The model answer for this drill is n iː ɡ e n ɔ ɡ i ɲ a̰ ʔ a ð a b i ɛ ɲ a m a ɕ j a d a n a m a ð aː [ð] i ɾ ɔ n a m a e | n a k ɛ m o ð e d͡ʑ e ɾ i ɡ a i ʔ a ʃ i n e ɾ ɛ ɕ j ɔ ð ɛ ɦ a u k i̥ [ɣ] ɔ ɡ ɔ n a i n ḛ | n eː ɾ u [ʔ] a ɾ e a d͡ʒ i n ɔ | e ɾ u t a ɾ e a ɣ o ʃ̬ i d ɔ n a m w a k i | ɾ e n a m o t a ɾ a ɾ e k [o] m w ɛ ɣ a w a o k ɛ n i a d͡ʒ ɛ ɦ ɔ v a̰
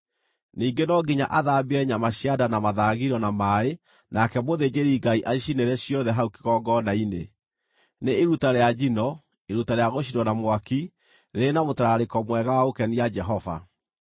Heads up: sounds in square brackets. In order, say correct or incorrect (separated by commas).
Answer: incorrect, correct, incorrect, incorrect